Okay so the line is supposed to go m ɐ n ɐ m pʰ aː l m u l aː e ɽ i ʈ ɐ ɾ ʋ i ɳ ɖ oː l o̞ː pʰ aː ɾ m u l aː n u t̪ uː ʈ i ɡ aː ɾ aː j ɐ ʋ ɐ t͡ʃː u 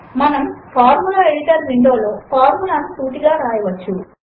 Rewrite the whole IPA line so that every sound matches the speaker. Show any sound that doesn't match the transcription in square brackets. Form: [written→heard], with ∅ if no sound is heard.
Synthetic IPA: m ɐ n ɐ m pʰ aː [l→ɾ] m u l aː e ɽ i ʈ ɐ ɾ ʋ i ɳ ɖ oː l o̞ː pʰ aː ɾ m u l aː n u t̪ uː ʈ i ɡ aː ɾ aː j ɐ ʋ ɐ t͡ʃː u

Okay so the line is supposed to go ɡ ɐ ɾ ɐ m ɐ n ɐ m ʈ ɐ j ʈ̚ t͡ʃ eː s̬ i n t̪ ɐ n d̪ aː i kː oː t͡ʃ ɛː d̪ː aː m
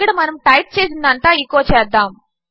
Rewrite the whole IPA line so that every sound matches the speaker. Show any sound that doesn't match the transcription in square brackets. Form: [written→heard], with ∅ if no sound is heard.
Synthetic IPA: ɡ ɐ [ɾ→ɽ] ɐ m ɐ n ɐ m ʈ ɐ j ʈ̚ t͡ʃ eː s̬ i n [t̪→d̪] ɐ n [d̪→t̪] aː i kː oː t͡ʃ ɛː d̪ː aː m

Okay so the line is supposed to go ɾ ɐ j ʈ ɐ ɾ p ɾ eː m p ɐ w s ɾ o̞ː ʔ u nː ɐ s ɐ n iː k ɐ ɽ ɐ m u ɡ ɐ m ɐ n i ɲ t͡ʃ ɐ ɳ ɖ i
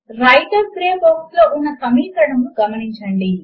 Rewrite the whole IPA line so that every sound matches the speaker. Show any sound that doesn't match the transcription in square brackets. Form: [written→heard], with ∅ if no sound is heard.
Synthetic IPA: ɾ ɐ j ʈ ɐ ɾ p ɾ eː m [p→b] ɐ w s [ɾ→l] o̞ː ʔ u nː ɐ s ɐ [n→m] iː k ɐ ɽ ɐ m u ɡ ɐ m ɐ n i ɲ t͡ʃ ɐ ɳ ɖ i

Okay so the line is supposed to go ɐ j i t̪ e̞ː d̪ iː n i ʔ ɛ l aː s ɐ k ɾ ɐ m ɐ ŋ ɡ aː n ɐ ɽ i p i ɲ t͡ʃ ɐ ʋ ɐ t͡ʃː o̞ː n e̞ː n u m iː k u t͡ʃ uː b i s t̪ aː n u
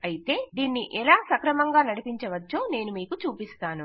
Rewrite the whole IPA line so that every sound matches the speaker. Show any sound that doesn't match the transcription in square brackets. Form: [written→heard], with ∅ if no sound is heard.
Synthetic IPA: ɐ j i t̪ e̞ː d̪ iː [n→nː] i ʔ ɛ l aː s ɐ k ɾ ɐ m ɐ ŋ ɡ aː n ɐ ɽ i p i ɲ t͡ʃ ɐ ʋ ɐ t͡ʃː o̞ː n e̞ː n u m iː k u t͡ʃ uː [b→p] i s t̪ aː n u

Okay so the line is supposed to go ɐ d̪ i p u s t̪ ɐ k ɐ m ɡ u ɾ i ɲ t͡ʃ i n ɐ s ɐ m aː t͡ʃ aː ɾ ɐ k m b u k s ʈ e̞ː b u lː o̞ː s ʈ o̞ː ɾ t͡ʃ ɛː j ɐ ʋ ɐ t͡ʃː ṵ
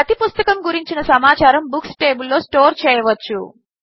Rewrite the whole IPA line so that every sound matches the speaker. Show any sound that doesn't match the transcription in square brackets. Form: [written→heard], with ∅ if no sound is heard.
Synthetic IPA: ɐ [d̪→t̪] i p u s t̪ ɐ k ɐ m ɡ u ɾ i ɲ t͡ʃ i n ɐ s ɐ m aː t͡ʃ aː ɾ ɐ [k→∅] m b u k s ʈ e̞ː b u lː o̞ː s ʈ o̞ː ɾ t͡ʃ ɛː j ɐ ʋ ɐ t͡ʃː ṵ

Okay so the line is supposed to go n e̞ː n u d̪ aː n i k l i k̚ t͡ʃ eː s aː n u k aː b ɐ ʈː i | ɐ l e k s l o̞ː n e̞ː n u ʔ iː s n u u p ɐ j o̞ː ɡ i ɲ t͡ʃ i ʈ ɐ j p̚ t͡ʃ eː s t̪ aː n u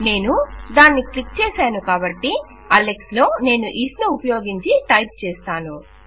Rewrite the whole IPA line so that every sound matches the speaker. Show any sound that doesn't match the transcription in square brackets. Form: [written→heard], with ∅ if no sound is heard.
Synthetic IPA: n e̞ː n u d̪ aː [n→nː] i k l i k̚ t͡ʃ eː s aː n u k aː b ɐ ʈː i | ɐ l e k s l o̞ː n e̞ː n u ʔ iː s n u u p ɐ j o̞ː ɡ i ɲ t͡ʃ i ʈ ɐ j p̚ t͡ʃ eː s t̪ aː n u

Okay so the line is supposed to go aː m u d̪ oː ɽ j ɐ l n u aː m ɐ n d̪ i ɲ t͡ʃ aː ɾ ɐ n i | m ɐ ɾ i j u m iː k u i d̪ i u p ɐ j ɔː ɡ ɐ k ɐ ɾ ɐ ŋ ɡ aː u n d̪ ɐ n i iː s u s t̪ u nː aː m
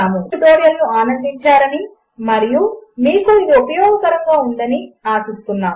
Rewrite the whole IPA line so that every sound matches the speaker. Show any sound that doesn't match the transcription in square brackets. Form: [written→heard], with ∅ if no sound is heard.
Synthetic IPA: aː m u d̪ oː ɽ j ɐ l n u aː [m→n] ɐ n d̪ i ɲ t͡ʃ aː ɾ ɐ n i | m ɐ ɾ i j u m iː k u i d̪ i u p ɐ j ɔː ɡ ɐ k ɐ ɾ ɐ ŋ ɡ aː u n d̪ ɐ n i [iː→aː] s u s t̪ u nː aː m

